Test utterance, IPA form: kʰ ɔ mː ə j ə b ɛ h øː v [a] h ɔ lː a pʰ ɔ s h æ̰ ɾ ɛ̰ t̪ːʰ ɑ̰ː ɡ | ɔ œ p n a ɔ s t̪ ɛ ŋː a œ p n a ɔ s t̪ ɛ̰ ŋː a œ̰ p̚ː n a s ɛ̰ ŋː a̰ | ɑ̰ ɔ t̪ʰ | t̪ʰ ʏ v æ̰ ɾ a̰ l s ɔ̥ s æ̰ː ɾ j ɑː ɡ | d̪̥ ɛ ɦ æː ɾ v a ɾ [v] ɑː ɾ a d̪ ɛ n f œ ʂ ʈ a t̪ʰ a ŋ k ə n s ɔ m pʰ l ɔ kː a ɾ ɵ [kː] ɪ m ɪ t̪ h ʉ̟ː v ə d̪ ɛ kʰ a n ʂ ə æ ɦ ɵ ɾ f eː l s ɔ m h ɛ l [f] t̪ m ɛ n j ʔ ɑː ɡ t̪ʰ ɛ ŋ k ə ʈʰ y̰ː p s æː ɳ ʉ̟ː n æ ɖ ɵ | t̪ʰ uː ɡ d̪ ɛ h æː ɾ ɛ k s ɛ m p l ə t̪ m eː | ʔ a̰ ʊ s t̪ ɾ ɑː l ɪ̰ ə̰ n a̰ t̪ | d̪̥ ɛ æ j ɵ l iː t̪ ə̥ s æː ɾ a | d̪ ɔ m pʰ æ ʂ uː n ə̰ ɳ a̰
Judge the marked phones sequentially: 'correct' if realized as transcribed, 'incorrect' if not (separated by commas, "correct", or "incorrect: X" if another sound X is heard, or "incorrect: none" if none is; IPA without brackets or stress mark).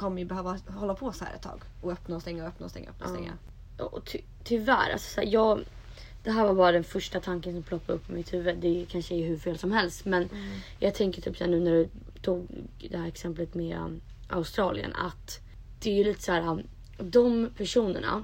correct, incorrect: b, incorrect: pː, incorrect: s